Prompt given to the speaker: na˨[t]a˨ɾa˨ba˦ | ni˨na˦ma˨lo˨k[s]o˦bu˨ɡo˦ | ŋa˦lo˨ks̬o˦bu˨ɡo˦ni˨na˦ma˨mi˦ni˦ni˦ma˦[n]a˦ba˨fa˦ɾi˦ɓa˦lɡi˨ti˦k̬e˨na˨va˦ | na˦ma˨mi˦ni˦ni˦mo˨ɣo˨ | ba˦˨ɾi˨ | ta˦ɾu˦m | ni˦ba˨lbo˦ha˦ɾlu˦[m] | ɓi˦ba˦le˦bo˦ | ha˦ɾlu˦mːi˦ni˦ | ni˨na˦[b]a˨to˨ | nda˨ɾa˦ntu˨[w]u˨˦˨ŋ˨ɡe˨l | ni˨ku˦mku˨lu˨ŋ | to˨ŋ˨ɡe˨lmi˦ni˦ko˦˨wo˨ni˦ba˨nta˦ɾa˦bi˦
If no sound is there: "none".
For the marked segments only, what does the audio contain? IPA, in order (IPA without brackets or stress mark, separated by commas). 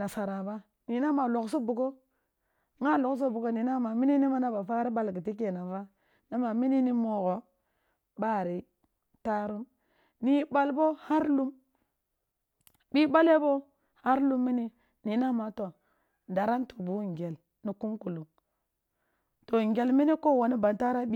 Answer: s, s, n, m, m, b